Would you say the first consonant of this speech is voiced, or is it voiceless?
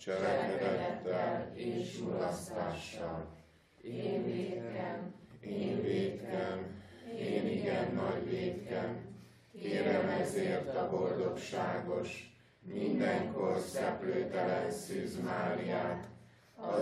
voiceless